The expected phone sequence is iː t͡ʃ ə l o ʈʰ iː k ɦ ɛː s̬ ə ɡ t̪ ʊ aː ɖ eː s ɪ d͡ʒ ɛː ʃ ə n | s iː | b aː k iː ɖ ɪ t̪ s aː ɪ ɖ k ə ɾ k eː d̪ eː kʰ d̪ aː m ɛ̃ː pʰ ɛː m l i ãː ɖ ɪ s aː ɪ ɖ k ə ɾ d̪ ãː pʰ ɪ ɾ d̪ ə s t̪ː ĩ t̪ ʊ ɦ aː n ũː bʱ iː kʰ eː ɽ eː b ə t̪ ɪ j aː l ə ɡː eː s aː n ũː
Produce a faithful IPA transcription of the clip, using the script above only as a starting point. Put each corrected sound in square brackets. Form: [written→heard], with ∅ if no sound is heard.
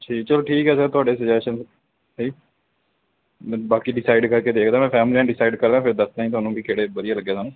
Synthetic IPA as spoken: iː t͡ʃ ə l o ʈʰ iː k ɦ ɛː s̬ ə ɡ t̪ ʊ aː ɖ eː s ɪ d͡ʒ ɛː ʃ ə n | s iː | b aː k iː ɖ ɪ [t̪→∅] s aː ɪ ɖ k ə ɾ k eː d̪ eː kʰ d̪ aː m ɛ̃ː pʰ ɛː m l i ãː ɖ ɪ s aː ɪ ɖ k ə ɾ d̪ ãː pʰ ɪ ɾ d̪ ə s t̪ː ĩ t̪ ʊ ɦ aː n ũː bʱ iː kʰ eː ɽ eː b ə [t̪→d̪] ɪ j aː l ə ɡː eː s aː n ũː